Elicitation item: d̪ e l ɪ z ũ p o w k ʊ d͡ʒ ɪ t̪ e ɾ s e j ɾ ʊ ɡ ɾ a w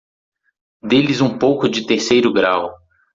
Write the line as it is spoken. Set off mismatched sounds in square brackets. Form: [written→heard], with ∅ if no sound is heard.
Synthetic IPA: d̪ e l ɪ z ũ p o w k ʊ d͡ʒ ɪ t̪ e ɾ s e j ɾ ʊ ɡ ɾ a w